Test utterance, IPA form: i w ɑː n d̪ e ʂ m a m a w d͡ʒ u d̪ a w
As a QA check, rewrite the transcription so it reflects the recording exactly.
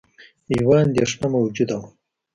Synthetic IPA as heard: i w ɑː n d̪ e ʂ n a m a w d͡ʒ u d̪ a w